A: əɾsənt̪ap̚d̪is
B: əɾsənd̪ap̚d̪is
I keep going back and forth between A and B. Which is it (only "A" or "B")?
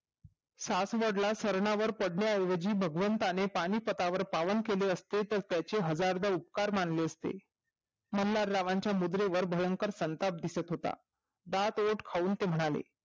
A